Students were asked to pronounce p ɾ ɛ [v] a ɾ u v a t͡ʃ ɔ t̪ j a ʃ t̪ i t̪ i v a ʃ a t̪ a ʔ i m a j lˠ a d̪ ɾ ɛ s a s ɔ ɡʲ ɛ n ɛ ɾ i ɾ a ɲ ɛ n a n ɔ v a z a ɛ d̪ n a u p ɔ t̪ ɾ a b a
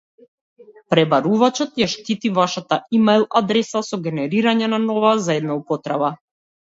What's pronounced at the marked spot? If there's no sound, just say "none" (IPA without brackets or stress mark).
b